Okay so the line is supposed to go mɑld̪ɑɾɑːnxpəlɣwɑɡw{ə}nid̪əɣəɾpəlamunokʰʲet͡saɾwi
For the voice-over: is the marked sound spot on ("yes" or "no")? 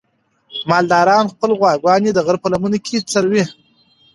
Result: no